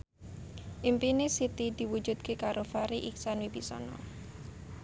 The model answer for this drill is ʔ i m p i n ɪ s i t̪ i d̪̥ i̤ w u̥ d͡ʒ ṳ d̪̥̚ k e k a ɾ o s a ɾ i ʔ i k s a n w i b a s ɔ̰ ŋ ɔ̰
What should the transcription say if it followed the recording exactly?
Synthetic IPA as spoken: ʔ i m p i n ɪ s i t̪ i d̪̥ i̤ w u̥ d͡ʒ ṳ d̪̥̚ k e k a ɾ o f a ɾ i ʔ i k s a n w i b i s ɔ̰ n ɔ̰